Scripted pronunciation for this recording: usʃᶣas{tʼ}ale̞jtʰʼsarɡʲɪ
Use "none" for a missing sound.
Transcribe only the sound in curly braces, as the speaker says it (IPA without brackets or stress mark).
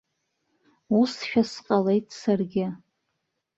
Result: qʼ